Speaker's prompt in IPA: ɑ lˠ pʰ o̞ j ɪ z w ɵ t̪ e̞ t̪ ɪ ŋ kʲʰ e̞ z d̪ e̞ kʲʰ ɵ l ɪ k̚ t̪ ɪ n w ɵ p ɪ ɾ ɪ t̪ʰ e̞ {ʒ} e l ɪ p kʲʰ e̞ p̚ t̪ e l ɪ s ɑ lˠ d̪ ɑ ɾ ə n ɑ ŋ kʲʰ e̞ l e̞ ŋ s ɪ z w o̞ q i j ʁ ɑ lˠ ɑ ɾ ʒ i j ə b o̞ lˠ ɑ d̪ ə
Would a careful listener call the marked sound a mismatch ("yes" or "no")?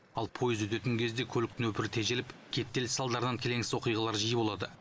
no